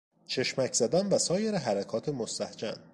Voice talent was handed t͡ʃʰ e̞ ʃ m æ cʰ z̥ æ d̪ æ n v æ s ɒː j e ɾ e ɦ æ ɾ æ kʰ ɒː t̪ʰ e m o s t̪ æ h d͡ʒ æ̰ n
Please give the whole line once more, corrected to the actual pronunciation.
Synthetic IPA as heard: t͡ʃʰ e̞ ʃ m æ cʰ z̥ æ d̪ æ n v æ s ɒː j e ɾ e ɦ æ ɾ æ kʰ ɒː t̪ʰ e m o s t̪ æ h d͡ʒ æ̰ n